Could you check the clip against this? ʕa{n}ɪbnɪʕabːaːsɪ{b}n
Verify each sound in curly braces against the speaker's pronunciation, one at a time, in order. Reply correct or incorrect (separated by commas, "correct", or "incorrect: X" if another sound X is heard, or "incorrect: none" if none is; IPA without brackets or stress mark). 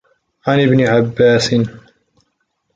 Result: correct, incorrect: none